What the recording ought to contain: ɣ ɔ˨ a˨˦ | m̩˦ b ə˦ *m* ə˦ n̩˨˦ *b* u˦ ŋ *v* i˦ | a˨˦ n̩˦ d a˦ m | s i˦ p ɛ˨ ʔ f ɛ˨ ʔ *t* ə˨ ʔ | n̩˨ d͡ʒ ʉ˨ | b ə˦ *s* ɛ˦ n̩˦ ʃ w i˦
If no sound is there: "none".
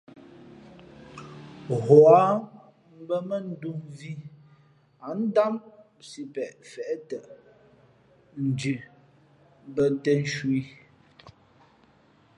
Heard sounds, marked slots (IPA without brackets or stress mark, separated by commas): m, d, v, t, t